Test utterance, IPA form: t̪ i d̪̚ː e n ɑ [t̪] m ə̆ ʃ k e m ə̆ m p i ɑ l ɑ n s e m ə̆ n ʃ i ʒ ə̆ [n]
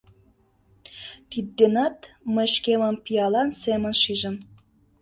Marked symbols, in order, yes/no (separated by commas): yes, no